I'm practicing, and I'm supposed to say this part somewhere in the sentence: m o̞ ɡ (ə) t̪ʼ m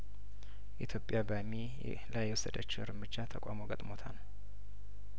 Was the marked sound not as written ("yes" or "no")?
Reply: no